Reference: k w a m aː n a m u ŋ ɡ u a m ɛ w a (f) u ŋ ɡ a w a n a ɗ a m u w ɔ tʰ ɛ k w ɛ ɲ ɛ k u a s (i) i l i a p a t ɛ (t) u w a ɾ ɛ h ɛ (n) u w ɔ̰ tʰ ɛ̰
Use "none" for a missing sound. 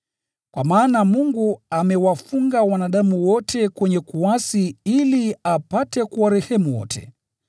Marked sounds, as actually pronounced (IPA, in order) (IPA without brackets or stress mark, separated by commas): f, i, k, m